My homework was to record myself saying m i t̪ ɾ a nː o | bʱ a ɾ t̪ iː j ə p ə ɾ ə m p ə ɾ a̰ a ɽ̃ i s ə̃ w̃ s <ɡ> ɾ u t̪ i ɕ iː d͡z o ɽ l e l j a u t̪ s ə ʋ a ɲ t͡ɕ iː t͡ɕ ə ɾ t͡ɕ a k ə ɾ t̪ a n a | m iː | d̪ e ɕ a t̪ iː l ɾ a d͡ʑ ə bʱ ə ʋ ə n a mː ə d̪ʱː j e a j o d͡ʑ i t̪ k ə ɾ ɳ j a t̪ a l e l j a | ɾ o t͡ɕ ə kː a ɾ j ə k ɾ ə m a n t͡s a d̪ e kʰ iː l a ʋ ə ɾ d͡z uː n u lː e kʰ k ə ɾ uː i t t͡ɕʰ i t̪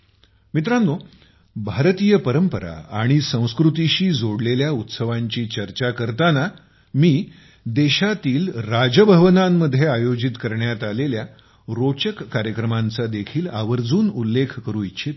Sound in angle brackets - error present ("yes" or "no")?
yes